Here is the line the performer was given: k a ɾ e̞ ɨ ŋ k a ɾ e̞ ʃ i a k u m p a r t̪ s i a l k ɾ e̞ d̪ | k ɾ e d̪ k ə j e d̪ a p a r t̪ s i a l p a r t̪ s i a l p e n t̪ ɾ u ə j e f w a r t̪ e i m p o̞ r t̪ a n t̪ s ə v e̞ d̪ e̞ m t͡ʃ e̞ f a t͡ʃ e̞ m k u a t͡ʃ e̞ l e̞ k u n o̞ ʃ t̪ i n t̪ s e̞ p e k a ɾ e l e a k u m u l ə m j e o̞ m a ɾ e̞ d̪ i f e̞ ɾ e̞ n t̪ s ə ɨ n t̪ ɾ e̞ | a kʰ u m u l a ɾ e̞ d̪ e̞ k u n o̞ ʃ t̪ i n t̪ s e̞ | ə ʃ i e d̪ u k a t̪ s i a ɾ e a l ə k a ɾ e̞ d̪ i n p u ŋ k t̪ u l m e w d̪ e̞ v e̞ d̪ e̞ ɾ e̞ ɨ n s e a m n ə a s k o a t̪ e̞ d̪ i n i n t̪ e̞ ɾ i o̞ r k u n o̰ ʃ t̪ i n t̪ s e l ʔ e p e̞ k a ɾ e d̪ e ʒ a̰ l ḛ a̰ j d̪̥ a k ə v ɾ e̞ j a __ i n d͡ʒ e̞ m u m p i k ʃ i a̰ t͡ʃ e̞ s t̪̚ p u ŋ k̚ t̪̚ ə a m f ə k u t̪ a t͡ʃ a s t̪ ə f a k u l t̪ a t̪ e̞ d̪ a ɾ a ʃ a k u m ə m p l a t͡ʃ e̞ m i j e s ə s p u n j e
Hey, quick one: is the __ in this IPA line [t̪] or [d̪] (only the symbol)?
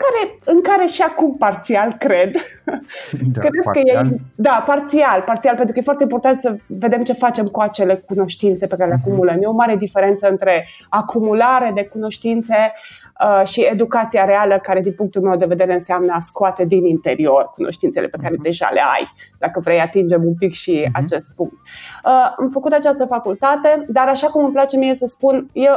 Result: t̪